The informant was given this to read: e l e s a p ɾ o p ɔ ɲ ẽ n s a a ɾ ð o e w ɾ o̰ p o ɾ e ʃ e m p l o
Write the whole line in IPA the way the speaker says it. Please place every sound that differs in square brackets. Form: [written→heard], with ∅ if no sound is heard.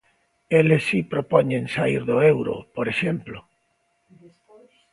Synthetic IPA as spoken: e l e s [a→i] p ɾ o p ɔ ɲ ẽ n s a [a→i] ɾ ð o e w ɾ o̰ p o ɾ e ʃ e m p l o